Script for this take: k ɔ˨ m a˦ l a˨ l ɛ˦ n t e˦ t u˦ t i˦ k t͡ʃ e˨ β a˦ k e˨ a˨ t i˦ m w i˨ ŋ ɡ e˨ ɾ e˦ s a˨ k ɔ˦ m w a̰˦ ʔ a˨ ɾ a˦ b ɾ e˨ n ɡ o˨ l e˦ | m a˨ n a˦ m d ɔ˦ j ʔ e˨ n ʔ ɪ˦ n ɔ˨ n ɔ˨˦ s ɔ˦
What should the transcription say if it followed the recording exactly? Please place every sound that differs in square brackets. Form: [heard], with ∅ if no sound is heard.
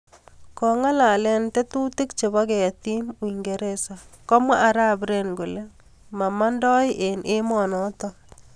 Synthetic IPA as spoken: k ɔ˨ [ŋ] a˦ l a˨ l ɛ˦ n t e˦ t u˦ t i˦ k t͡ʃ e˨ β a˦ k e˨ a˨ t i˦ m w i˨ ŋ ɡ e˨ ɾ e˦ s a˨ k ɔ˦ m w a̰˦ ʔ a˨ ɾ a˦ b ɾ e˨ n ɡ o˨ l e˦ | m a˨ [m] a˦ [n] d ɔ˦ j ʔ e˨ n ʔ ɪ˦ [m] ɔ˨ n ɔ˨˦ [t] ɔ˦